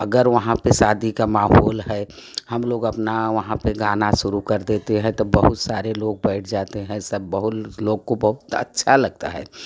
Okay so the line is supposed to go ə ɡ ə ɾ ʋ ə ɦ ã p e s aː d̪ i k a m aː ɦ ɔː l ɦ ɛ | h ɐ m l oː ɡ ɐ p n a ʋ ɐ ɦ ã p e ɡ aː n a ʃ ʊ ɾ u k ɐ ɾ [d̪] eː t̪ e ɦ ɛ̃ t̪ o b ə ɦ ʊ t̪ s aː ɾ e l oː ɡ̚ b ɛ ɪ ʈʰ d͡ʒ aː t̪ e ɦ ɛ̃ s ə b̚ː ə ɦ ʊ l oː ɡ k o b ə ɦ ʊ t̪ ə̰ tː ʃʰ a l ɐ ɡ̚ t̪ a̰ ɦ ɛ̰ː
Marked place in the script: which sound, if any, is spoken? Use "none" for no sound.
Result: d̪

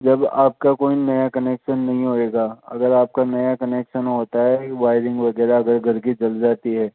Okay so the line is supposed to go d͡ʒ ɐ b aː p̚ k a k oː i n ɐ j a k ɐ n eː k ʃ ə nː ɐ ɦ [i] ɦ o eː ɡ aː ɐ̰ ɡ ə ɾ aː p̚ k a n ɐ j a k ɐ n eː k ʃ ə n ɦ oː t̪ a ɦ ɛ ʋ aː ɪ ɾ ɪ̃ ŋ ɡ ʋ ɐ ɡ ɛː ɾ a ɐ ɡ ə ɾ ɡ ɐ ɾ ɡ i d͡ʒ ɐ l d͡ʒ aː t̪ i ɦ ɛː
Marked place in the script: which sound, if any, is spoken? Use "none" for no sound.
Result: ĩ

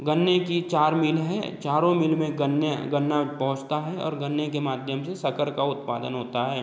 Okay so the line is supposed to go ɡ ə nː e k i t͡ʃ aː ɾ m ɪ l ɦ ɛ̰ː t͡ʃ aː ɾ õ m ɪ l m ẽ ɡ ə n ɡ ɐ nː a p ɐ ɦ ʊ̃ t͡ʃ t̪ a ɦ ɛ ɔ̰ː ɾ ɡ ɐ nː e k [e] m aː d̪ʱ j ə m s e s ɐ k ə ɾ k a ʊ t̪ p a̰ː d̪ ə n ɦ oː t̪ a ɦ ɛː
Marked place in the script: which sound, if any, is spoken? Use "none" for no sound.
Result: e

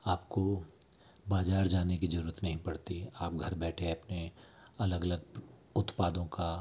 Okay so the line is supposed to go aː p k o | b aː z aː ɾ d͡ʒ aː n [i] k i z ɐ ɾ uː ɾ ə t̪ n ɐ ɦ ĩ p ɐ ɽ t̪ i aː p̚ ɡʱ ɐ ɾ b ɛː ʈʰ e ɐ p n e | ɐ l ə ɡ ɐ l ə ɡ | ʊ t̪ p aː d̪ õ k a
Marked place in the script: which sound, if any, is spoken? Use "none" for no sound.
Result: e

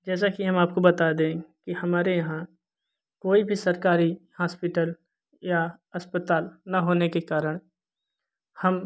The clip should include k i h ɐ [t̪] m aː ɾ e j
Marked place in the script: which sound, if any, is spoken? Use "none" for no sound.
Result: none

